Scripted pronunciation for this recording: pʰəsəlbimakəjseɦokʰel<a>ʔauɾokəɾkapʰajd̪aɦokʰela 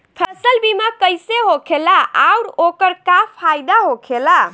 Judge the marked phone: correct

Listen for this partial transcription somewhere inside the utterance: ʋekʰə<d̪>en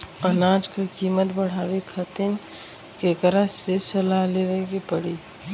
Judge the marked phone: incorrect: t̪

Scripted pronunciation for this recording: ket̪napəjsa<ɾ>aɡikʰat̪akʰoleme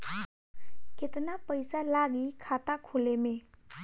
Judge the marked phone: incorrect: l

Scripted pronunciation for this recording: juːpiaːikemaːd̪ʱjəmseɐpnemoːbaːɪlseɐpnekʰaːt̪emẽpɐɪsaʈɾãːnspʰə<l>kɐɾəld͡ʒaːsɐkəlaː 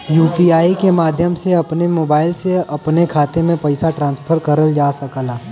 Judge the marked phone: incorrect: ɾ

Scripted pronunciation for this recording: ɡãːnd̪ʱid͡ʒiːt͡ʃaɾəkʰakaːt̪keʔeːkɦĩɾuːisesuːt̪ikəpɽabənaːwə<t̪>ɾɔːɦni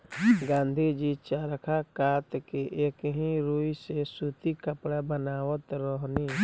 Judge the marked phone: correct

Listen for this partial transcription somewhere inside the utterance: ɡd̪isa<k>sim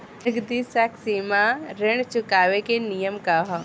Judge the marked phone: correct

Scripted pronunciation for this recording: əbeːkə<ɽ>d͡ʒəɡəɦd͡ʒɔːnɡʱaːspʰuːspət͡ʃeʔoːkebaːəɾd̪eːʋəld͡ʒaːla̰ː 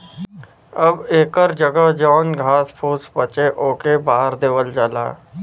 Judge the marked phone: incorrect: ɾ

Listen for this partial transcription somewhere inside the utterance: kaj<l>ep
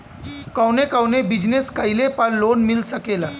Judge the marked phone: correct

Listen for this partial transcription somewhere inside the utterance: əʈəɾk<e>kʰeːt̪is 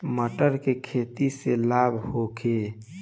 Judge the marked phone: correct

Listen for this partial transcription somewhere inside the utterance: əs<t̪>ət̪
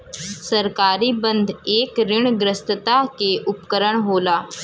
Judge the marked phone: correct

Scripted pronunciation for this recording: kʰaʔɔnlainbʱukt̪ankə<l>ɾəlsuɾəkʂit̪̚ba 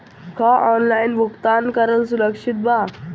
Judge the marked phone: incorrect: none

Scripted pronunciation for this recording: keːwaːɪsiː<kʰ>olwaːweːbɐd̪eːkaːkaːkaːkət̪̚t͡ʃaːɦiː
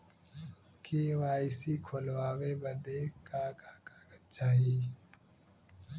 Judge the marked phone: correct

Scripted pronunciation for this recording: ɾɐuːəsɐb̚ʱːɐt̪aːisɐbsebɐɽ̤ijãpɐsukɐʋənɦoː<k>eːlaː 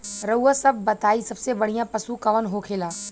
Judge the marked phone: incorrect: kʰ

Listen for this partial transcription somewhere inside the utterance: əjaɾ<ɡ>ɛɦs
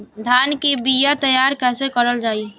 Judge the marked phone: incorrect: k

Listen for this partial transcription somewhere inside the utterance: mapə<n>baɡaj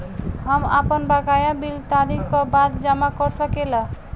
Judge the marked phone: correct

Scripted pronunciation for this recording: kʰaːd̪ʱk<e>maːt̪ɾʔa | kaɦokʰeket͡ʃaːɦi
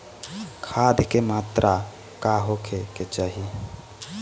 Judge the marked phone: correct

